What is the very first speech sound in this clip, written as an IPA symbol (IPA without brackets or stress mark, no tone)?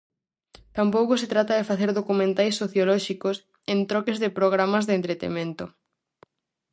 t̪